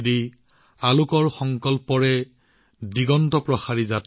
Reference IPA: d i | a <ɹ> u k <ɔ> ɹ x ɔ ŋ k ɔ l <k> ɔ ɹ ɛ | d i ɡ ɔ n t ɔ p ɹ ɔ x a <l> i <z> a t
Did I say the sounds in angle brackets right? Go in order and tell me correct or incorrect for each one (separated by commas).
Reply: incorrect, correct, incorrect, incorrect, correct